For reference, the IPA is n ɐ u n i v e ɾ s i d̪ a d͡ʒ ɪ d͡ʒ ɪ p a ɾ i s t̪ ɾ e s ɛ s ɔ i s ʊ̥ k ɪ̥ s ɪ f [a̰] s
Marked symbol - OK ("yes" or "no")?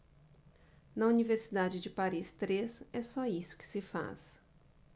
yes